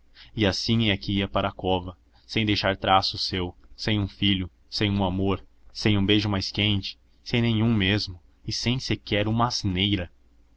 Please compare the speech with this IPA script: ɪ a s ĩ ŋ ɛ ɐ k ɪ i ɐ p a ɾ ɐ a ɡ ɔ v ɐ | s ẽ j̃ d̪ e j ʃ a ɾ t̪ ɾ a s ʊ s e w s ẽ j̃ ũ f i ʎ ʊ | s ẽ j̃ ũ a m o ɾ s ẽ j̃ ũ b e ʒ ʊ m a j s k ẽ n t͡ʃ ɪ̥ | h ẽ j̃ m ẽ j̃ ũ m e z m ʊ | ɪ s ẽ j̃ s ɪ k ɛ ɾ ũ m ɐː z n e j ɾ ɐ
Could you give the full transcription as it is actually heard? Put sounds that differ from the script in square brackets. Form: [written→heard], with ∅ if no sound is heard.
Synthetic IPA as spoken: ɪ a s ĩ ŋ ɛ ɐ k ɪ i ɐ p a ɾ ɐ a [ɡ→k] ɔ v ɐ | s ẽ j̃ d̪ e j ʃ a ɾ t̪ ɾ a s ʊ s e w s ẽ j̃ ũ f i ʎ ʊ | s ẽ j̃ ũ a m o ɾ s ẽ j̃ ũ b e ʒ ʊ m a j s k ẽ n t͡ʃ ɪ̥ | [h→s] ẽ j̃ [m→n] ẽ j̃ ũ m e z m ʊ | ɪ s ẽ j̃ s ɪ k ɛ ɾ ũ m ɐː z n e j ɾ ɐ